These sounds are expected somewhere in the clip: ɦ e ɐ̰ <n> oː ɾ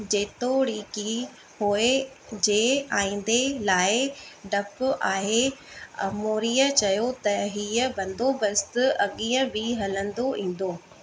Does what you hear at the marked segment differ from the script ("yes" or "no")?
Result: yes